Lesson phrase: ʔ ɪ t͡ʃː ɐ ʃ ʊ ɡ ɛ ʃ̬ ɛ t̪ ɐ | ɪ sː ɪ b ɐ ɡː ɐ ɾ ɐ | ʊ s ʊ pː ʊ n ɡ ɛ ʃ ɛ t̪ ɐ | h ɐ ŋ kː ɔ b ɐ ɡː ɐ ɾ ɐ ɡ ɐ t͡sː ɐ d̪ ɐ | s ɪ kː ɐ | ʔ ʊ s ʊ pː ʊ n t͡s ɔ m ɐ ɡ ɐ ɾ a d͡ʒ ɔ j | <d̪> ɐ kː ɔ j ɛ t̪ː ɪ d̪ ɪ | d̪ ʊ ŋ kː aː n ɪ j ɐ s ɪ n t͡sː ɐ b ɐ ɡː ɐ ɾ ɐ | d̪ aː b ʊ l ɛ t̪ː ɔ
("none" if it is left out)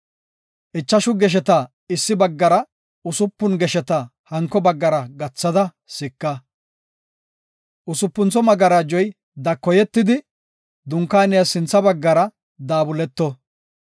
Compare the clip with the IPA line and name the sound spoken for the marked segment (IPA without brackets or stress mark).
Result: d̪